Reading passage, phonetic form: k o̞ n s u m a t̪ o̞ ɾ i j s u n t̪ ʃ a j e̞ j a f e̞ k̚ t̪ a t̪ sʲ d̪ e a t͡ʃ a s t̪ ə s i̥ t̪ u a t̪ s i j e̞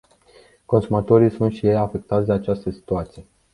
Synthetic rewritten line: k o̞ n s u m a t̪ o̞ ɾ i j s u n t̪ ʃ i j e̞ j a f e̞ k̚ t̪ a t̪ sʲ d̪ e a t͡ʃ a s t̪ ə s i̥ t̪ u a t̪ s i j e̞

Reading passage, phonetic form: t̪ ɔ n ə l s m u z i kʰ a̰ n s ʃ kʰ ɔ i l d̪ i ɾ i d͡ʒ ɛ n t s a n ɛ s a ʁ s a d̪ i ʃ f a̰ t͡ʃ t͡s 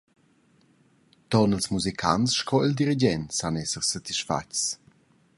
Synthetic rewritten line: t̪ ɔ n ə l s m u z i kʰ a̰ n s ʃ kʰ ɔ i l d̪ i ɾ i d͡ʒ ɛ n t s a n ɛ s ə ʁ s a t̪ i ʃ f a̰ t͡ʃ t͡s

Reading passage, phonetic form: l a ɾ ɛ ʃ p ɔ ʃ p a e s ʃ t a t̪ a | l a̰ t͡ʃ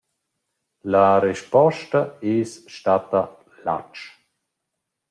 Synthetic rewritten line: l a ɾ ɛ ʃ p ɔ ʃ t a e s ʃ t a t̪ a | l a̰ t͡ʃ

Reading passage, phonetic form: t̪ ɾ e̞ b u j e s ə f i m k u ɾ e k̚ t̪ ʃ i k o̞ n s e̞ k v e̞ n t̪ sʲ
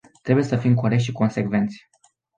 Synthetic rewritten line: t̪ ɾ e̞ b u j e s ə f i m k o ɾ e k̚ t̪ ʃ i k o̞ n s e̞ k v e̞ n t̪ sʲ

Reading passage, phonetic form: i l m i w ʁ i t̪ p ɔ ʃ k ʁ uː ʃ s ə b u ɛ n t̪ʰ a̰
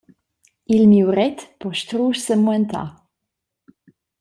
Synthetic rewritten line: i l m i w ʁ ɛ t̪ p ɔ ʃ t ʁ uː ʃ s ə m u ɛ n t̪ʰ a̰

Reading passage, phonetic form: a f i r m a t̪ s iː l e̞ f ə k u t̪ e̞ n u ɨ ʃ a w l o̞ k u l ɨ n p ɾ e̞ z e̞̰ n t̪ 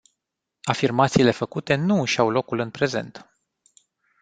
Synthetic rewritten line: a f i r m a t̪ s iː l e̞ f ə k u t̪ e̞ n u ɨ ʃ a w l o̞ k u l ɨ n p ɾ e̞ z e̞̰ n t̪

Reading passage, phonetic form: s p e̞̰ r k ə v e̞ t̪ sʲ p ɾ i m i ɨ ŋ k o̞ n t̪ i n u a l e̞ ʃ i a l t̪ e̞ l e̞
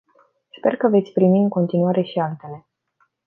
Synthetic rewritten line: s p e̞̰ r k ə v e̞ t̪ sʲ p ɾ i m i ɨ ŋ k o̞ n t̪ i n u a ɾ e̞ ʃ i a l t̪ e̞ l e̞

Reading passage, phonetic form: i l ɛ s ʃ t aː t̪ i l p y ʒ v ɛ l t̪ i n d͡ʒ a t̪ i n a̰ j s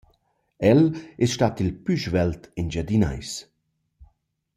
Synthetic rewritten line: ɛ l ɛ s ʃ t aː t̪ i l p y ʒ v ɛ l t̪ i n d͡ʒ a d̪ i n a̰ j s

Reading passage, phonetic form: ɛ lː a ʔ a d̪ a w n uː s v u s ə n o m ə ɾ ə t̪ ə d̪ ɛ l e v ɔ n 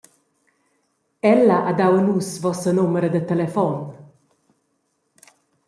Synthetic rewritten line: ɛ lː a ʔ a d̪ a w n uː s v ɔ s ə n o m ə ɾ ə d̪ ə t̪ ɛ l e f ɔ n

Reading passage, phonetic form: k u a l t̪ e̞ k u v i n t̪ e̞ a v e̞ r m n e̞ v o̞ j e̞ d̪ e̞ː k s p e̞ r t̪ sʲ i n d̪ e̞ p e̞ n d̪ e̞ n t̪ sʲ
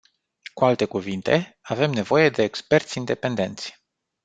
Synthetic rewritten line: k u a l t̪ e̞ k u v i n t̪ e̞ a v e̞ m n e̞ v o̞ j e̞ d̪ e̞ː k s p e̞ r t̪ sʲ i n d̪ e̞ p e̞ n d̪ e̞ n t̪ sʲ

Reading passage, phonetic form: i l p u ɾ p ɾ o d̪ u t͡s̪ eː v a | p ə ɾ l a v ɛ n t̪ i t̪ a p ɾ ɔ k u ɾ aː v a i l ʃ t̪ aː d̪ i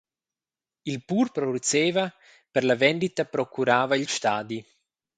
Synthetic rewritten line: i l p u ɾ p ɾ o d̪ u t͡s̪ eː v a | p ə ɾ l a v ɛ n d̪ i t̪ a p ɾ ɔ k u ɾ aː v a i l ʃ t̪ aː d̪ i

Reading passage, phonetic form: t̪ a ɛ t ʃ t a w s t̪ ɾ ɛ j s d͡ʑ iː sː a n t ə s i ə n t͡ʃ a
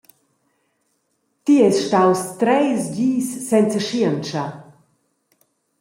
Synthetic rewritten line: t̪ i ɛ s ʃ t a w s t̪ ɾ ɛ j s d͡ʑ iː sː ɛ n t͡s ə ʃ i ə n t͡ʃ a

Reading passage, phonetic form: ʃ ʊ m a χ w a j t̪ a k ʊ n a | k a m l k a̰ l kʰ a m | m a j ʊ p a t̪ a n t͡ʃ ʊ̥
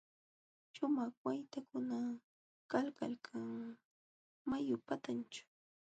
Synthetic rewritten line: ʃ ʊ m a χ w a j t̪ a k ʊ n a | k a l k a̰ l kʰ a ŋ | m a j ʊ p a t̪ a n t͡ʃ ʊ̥

